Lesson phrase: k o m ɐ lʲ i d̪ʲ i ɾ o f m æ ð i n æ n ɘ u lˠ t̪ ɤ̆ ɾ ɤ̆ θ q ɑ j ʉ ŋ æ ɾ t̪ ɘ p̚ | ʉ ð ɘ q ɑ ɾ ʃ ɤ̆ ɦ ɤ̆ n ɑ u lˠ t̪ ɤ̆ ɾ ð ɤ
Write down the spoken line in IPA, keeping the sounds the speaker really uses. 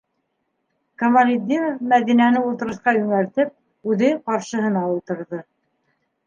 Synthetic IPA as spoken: k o m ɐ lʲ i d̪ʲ i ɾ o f m æ ð i n æ n ɘ u lˠ t̪ ɤ̆ ɾ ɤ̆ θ q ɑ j ʉ ŋ æ ɾ t̪ ɘ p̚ | ʉ ð ɘ q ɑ ɾ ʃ ɤ̆ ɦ ɤ̆ n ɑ u lˠ t̪ ɤ̆ ɾ ð ɤ